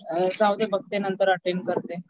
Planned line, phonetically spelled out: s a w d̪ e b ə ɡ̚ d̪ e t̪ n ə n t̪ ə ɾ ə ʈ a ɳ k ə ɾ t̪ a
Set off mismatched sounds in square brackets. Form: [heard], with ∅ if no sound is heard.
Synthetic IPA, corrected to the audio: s a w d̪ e b ə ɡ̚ [t̪] e [∅] n ə n t̪ ə ɾ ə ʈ [e] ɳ k ə ɾ t̪ [e]